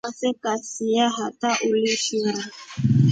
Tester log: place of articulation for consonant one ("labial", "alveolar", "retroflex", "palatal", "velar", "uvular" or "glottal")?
alveolar